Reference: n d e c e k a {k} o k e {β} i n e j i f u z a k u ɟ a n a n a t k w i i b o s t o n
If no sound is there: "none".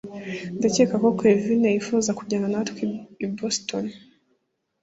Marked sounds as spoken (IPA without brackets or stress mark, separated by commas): k, v